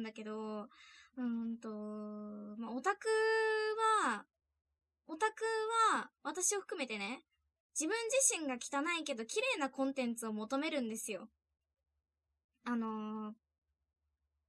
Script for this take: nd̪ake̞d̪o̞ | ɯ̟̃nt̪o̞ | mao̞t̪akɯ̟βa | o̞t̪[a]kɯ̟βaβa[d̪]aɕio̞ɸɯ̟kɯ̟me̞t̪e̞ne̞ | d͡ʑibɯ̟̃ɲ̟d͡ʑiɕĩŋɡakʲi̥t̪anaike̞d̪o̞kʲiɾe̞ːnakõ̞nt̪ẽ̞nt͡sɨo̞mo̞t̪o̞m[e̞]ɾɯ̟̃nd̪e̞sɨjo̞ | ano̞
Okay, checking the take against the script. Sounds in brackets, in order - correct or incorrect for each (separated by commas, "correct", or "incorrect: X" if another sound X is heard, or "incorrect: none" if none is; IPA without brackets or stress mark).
correct, incorrect: t̪, correct